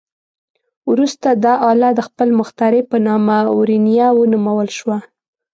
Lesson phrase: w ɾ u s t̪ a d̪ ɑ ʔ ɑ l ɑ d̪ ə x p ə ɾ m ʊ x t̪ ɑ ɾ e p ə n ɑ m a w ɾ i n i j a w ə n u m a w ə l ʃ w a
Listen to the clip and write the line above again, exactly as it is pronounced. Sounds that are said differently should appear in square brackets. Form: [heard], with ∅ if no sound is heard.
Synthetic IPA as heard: w ɾ u s t̪ a d̪ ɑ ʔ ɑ l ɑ d̪ ə x p ə [l] m ʊ x t̪ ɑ ɾ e p ə n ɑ m a w ɾ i n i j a w ə n u m a w ə l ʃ w a